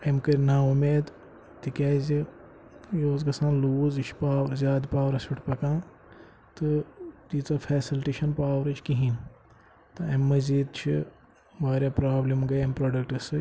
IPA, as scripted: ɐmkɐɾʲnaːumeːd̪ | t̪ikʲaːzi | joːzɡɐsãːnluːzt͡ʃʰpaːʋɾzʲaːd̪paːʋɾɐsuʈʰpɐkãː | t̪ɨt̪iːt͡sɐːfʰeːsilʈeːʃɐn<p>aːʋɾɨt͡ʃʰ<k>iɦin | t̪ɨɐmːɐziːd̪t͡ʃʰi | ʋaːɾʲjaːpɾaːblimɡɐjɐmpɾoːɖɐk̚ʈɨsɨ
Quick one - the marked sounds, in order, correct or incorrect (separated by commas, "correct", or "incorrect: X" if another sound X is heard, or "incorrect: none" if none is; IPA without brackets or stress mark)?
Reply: correct, correct